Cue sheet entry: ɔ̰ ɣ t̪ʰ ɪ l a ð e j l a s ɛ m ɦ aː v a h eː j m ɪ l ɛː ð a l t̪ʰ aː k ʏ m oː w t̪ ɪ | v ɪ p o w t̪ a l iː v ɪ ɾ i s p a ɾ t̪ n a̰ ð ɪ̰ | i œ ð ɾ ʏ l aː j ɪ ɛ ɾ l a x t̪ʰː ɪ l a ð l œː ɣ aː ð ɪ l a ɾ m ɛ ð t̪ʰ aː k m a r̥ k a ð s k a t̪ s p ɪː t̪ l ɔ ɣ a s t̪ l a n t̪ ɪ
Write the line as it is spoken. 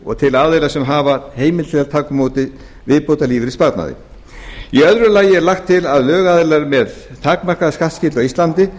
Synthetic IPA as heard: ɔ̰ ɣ t̪ʰ ɪ l a ð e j l a s ɛ m ɦ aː v a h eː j m ɪ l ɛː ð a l t̪ʰ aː k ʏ m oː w t̪ ɪ | v ɪ p o w t̪ a l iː v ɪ ɾ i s p a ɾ t̪ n a̰ ð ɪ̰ | i œ ð ɾ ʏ l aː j ɪ ɛ ɾ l a x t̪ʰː ɪ l a ð l œː ɣ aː ð ɪ l a ɾ m ɛ ð t̪ʰ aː k m a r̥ k a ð s k a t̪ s c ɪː t̪ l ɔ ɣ i s t̪ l a n t̪ ɪ